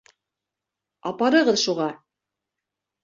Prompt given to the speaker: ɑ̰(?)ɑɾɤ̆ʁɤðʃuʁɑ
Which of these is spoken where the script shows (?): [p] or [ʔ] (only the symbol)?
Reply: p